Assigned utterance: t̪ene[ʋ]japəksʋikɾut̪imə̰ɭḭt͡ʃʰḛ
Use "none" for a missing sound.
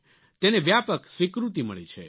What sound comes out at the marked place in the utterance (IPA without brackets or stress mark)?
ʋ